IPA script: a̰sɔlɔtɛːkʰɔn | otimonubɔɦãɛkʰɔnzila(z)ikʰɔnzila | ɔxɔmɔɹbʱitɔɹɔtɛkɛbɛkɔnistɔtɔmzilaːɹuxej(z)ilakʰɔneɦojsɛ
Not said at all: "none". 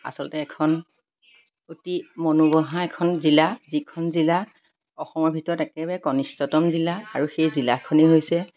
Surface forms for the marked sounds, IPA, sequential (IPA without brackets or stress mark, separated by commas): z, z